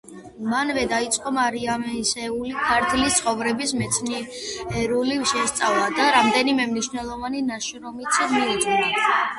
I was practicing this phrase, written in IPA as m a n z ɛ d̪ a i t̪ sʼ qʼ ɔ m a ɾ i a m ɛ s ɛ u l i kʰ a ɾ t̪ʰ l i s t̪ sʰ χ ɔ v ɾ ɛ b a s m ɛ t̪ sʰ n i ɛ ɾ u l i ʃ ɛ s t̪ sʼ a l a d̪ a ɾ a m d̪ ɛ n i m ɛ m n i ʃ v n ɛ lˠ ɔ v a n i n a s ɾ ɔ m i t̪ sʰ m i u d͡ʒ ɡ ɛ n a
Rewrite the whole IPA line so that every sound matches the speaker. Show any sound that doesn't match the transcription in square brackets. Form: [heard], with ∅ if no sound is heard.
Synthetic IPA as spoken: m a n [v] ɛ d̪ a i t̪ sʼ qʼ ɔ m a ɾ i a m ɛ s ɛ u l i kʰ a ɾ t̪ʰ l i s t̪ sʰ χ ɔ v ɾ ɛ b [i] s m ɛ t̪ sʰ n i ɛ ɾ u l i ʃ ɛ s t̪ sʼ a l a d̪ a ɾ a m d̪ ɛ n i m ɛ m n i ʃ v n ɛ lˠ ɔ v a n i n a [ʃ] ɾ ɔ m i t̪ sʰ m i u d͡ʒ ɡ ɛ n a

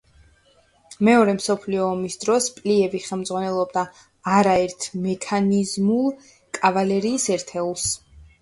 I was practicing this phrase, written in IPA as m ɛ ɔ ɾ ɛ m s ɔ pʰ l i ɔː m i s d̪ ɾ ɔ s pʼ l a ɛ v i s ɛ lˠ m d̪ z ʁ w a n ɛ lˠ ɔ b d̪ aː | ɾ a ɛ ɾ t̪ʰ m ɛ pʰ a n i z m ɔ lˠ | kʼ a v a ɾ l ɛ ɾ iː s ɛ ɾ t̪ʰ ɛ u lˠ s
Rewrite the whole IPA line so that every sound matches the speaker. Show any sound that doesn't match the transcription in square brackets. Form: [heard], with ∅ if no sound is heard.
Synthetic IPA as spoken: m ɛ ɔ ɾ ɛ m s ɔ pʰ l i ɔː m i s d̪ ɾ ɔ s pʼ l [i] ɛ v i [χ] ɛ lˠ m d̪ z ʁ w a n ɛ lˠ ɔ b d̪ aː | ɾ a ɛ ɾ t̪ʰ m ɛ [kʰ] a n i z m [u] lˠ | kʼ a v a [∅] l ɛ ɾ iː s ɛ ɾ t̪ʰ ɛ u lˠ s

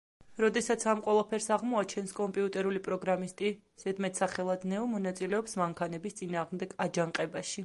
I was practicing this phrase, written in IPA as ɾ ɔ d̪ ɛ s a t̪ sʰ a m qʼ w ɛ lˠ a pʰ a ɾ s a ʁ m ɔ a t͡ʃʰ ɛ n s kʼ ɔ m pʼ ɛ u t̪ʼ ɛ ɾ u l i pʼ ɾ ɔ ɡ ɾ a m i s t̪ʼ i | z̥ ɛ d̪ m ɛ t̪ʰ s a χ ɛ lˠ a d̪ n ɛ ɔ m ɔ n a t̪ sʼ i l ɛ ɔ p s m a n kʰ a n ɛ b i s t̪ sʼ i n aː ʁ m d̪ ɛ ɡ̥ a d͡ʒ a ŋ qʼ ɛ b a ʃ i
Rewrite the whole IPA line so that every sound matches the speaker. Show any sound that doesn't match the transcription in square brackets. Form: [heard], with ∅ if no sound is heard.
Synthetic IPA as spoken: ɾ ɔ d̪ ɛ s a t̪ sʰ a m qʼ w ɛ lˠ a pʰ [ɛ] ɾ s a ʁ m ɔ a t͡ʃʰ ɛ n s kʼ ɔ m pʼ [i] u t̪ʼ ɛ ɾ u l i pʼ ɾ ɔ ɡ ɾ a m i s t̪ʼ i | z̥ ɛ d̪ m ɛ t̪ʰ s a χ ɛ lˠ a d̪ n ɛ ɔ m ɔ n a t̪ sʼ i l ɛ ɔ p s m a [ŋ] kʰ a n ɛ b i s t̪ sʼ i n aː ʁ m d̪ ɛ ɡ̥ a d͡ʒ a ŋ qʼ ɛ b a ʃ i

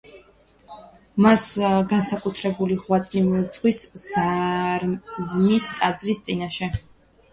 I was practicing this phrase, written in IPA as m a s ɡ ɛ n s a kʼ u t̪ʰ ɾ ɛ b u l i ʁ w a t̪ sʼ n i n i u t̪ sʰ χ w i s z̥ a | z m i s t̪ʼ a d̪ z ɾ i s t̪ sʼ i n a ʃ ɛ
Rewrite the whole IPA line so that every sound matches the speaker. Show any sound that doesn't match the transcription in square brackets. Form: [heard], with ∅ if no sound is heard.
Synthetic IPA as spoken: m a s ɡ [a] n s a kʼ u t̪ʰ ɾ ɛ b u l i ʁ w a t̪ sʼ n i [m] i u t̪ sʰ χ w i s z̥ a | z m i s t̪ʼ a d̪ z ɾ i s t̪ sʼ i n a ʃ ɛ

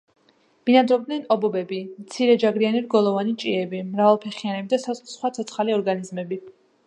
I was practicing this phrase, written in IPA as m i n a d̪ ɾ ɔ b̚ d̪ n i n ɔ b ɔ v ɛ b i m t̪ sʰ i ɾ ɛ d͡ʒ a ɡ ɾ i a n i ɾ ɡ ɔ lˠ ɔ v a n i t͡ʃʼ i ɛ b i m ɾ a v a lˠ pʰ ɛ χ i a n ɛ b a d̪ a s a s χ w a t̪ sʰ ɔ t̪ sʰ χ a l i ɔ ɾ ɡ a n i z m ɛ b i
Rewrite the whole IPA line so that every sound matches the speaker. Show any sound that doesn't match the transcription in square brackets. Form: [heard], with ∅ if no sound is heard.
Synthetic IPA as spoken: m i n a d̪ ɾ ɔ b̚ d̪ n [ɛ] n ɔ b ɔ [b] ɛ b i m t̪ sʰ i ɾ ɛ d͡ʒ a ɡ ɾ i a n i ɾ ɡ ɔ lˠ ɔ v a n i t͡ʃʼ i ɛ b i m ɾ a v a lˠ pʰ ɛ χ i a n ɛ b [i] d̪ a s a s χ w a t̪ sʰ ɔ t̪ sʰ χ a l i ɔ ɾ ɡ a n i z m ɛ b i

